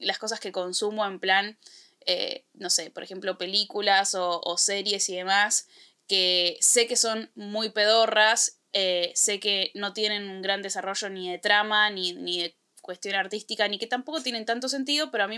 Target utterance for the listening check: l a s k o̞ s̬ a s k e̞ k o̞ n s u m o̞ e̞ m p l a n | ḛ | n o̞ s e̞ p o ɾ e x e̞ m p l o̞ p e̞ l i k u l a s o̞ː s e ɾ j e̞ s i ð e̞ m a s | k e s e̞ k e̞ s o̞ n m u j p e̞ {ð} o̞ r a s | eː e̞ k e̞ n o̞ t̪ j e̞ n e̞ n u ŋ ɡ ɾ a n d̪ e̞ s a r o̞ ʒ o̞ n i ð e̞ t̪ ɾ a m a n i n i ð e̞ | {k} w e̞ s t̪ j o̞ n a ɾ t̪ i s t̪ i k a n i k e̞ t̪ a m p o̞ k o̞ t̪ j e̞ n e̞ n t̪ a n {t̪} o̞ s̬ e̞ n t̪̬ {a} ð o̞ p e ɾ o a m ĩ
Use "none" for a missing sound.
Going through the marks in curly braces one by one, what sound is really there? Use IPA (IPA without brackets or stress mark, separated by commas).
ð, k, t̪, i